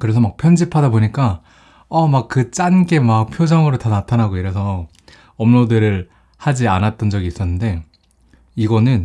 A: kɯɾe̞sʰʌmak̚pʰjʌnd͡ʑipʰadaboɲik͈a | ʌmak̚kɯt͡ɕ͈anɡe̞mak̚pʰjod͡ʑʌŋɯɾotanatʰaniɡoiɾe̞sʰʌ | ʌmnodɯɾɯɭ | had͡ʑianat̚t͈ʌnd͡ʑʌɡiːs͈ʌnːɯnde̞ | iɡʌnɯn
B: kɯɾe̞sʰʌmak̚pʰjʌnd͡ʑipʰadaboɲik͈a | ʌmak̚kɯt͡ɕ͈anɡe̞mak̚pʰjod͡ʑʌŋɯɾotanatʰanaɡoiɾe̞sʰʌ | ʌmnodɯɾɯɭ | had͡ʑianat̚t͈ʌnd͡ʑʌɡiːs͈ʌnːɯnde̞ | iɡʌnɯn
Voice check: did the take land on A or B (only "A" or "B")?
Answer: B